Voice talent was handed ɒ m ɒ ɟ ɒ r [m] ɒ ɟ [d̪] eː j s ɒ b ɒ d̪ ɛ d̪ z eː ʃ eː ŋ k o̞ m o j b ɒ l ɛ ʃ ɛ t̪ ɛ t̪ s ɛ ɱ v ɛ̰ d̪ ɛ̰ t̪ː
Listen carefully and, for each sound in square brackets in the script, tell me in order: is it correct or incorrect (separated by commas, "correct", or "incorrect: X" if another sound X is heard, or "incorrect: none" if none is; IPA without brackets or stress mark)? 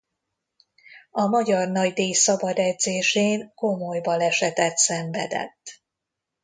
incorrect: n, correct